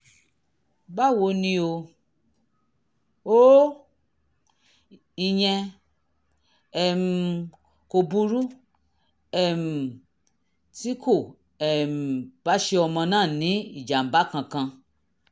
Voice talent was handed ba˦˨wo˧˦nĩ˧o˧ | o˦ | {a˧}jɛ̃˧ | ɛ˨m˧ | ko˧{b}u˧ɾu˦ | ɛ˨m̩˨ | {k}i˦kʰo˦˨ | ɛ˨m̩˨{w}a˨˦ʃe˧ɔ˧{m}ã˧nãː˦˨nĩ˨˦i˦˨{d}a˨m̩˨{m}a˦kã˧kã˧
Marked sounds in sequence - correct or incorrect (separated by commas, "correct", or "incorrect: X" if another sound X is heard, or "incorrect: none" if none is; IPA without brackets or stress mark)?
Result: incorrect: i˧, correct, incorrect: t, incorrect: b, correct, incorrect: d͡ʒ, incorrect: b